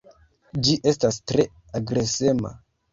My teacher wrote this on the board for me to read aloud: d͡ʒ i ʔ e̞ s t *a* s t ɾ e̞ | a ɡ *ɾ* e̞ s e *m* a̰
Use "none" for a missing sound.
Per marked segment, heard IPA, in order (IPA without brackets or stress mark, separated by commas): a, ɾ, m